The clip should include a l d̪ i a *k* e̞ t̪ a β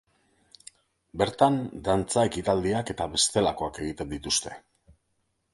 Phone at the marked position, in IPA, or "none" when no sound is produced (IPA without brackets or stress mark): k